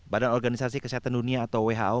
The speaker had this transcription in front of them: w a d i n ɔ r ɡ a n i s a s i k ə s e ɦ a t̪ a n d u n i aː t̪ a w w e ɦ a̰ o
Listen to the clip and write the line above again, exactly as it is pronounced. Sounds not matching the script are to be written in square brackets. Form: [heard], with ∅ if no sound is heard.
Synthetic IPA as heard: [b] a d [a] n ɔ r ɡ a n i s a s i k ə s [i] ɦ a t̪ a n d u n i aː t̪ a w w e ɦ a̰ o